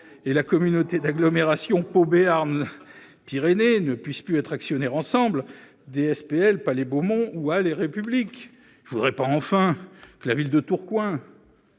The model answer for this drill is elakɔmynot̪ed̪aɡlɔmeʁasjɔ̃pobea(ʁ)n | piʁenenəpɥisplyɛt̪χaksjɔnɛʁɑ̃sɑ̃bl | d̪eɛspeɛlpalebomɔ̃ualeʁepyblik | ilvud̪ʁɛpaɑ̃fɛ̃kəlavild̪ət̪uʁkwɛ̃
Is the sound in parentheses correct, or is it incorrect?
correct